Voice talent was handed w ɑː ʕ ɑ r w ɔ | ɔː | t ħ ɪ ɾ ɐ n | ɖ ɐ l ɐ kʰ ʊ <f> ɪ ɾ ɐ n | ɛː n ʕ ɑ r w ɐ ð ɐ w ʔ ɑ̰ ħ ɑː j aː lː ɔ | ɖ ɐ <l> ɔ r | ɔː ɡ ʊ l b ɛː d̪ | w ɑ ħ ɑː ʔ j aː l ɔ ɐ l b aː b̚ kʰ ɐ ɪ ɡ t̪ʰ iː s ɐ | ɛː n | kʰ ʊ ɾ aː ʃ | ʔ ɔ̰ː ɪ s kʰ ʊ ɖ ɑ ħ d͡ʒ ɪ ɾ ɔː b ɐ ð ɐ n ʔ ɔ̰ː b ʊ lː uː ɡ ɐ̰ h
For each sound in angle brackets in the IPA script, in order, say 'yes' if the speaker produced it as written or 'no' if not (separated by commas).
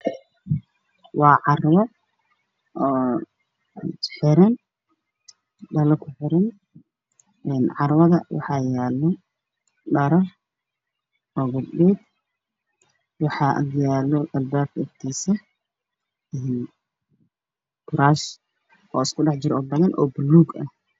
no, no